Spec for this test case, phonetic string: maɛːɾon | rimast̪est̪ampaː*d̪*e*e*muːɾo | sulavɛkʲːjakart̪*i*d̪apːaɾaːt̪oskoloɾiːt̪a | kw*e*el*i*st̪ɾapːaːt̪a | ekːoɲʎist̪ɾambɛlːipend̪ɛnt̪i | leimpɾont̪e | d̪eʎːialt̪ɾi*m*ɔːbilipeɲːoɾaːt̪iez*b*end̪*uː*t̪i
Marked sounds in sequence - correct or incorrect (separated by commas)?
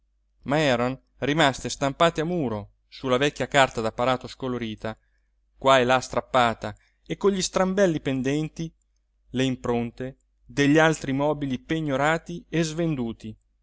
incorrect, incorrect, incorrect, incorrect, incorrect, correct, incorrect, correct